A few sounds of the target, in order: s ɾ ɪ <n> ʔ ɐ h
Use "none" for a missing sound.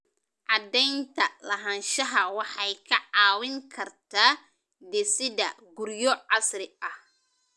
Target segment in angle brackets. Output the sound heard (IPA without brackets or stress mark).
none